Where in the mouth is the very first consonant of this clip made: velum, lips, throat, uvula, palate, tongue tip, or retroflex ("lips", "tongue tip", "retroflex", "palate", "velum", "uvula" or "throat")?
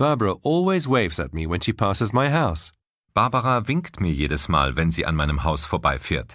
lips